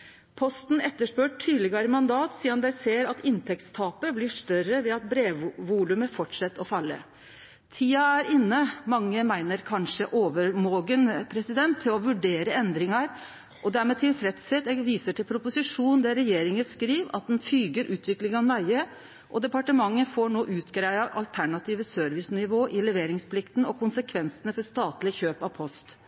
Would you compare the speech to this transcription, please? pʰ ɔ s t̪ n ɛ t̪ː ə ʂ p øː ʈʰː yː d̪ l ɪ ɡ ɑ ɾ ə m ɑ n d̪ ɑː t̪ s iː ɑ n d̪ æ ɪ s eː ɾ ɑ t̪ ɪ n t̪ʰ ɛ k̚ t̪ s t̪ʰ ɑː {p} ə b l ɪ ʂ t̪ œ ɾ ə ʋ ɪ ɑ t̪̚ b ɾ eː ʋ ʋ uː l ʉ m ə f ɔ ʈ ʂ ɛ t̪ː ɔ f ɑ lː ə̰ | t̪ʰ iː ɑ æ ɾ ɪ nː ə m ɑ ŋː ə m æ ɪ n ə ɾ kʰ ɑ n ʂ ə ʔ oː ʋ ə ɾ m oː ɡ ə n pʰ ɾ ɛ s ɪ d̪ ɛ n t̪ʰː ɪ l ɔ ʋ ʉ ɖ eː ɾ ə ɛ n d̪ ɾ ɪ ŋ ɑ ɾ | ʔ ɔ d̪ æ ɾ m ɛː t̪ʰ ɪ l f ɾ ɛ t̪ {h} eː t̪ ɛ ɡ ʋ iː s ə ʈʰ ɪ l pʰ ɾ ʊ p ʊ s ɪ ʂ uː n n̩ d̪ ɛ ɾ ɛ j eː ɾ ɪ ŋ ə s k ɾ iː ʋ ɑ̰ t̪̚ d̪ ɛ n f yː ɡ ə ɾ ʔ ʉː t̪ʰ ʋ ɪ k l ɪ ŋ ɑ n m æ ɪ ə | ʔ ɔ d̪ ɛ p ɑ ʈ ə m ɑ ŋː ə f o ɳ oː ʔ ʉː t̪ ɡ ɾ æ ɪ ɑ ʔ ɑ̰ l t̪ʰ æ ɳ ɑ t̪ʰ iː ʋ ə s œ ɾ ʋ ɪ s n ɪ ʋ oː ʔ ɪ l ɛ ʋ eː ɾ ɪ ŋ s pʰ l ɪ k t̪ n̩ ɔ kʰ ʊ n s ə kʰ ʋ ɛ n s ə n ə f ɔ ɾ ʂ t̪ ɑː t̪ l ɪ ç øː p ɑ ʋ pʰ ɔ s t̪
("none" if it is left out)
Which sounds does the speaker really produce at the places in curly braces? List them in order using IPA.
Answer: p, s

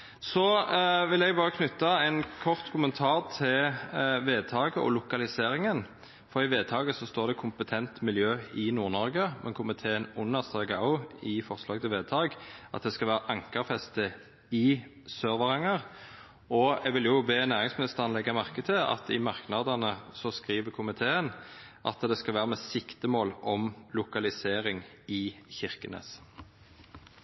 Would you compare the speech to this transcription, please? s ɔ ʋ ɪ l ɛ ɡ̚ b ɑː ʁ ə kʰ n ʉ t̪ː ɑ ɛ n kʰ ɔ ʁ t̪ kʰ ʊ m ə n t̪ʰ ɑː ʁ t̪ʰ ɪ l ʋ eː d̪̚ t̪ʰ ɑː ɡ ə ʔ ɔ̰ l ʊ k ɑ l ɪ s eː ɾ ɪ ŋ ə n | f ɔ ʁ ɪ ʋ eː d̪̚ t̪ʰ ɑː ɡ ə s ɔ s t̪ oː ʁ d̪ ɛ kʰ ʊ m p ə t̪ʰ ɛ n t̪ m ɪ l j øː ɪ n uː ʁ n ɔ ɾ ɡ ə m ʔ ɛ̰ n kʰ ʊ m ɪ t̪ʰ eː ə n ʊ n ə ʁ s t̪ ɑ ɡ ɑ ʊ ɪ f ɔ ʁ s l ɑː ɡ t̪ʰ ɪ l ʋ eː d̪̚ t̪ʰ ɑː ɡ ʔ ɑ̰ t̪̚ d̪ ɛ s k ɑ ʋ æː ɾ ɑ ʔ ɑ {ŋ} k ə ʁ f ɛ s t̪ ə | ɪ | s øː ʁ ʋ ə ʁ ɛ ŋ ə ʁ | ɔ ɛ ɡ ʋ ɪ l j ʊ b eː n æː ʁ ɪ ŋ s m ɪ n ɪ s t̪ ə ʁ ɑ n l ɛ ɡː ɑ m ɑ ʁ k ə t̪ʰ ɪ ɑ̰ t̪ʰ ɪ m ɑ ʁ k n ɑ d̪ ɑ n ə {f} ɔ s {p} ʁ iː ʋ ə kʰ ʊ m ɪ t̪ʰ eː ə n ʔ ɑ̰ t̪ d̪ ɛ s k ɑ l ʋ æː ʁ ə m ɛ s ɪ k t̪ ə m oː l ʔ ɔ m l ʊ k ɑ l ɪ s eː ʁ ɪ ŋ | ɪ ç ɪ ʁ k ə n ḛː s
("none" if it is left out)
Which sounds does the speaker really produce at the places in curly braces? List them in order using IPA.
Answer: ŋ, s, k

